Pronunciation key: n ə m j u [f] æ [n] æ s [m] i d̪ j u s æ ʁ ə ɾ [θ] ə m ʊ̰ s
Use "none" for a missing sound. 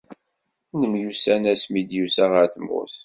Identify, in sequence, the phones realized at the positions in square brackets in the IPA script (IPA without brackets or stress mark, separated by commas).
s, n, m, θ